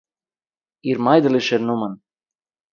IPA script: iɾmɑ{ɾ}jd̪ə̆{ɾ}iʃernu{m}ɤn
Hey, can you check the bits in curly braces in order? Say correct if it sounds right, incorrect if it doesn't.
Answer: incorrect: none, incorrect: l, correct

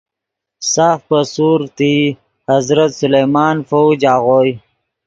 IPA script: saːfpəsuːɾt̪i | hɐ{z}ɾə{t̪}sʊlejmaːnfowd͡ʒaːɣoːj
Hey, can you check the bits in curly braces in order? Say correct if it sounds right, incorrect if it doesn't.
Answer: correct, correct

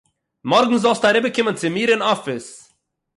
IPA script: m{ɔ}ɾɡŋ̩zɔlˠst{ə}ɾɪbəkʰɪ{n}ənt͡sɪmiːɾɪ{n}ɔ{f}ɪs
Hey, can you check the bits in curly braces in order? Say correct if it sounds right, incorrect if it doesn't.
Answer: correct, incorrect: a, incorrect: m, correct, correct

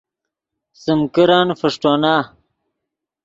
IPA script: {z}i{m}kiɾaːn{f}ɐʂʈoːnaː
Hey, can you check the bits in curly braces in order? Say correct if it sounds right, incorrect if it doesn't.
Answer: incorrect: s, correct, correct

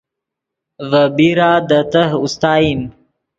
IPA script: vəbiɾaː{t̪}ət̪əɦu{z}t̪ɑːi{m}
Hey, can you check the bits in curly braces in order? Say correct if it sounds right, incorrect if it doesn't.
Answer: incorrect: d̪, incorrect: s, correct

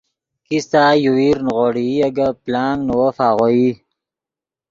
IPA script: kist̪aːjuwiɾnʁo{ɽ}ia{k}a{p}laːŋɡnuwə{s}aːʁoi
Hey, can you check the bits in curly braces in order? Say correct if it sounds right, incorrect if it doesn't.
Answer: correct, incorrect: ɡ, correct, incorrect: f

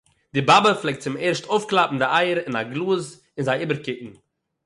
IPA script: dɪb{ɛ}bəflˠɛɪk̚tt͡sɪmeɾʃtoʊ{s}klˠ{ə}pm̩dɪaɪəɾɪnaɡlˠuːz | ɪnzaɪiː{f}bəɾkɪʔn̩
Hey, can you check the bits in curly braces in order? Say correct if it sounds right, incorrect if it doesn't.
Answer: incorrect: a, incorrect: f, incorrect: a, incorrect: none

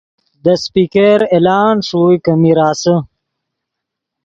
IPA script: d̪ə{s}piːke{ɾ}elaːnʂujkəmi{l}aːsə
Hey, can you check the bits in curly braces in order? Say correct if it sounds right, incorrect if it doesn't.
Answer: correct, correct, incorrect: ɾ

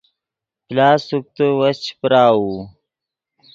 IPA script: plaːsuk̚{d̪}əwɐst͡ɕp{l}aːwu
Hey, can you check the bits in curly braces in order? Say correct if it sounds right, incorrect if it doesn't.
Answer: incorrect: t̪, incorrect: ɾ

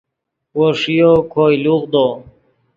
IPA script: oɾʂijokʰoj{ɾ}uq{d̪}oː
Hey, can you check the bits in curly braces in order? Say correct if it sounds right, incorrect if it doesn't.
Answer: incorrect: l, correct

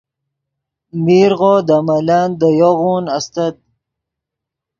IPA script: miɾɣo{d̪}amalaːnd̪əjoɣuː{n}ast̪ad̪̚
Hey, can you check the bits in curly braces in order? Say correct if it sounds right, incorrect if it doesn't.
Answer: correct, correct

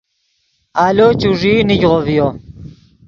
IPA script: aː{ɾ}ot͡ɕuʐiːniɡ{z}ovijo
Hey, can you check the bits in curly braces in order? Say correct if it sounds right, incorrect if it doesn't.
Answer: incorrect: l, incorrect: ʁ

